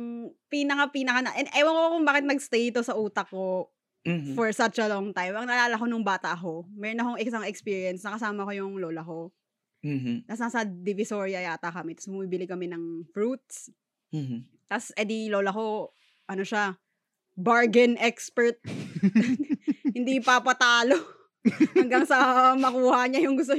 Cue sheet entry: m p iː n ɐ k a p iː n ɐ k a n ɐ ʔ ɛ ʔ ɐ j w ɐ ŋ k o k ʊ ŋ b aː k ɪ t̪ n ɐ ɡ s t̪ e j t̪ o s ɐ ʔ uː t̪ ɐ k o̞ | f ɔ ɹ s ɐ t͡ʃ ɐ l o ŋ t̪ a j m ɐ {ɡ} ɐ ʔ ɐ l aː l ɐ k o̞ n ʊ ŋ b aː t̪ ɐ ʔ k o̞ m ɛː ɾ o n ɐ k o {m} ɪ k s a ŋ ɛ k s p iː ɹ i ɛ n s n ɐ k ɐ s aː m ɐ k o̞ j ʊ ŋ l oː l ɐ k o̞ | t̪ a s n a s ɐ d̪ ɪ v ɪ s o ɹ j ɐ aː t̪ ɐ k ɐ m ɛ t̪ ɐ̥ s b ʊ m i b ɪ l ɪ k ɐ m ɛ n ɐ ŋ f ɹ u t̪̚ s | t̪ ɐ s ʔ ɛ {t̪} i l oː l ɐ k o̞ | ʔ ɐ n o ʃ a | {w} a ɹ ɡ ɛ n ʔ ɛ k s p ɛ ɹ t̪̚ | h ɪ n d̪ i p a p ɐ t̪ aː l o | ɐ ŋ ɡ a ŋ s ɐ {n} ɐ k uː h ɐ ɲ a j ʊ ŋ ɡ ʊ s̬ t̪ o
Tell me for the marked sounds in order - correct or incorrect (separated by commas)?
incorrect, incorrect, incorrect, incorrect, incorrect